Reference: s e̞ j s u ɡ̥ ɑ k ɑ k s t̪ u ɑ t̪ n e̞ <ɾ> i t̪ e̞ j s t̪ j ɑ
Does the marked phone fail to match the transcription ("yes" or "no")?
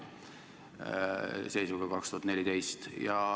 yes